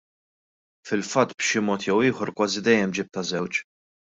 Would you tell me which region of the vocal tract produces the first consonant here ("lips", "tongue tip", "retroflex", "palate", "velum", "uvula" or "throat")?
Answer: lips